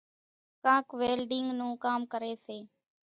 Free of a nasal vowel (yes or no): no